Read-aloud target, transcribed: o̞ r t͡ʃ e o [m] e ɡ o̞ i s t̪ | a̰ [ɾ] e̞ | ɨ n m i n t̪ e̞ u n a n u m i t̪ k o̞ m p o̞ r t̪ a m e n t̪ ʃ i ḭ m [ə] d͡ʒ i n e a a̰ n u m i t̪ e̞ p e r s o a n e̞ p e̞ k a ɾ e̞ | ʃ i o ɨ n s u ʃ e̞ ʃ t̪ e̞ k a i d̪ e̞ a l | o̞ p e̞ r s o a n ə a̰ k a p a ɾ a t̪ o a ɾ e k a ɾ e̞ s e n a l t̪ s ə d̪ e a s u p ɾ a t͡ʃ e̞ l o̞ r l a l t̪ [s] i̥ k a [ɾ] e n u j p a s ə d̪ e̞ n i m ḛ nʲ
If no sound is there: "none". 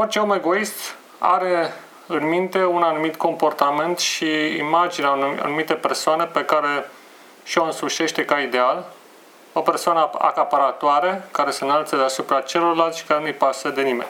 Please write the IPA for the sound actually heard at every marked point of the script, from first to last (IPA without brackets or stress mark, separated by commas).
m, ɾ, a, ʃ, ɾ